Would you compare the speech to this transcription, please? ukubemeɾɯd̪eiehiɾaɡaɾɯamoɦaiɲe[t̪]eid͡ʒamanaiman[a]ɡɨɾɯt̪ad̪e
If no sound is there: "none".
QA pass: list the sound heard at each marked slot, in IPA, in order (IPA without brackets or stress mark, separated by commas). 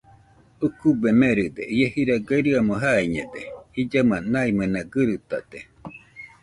d̪, a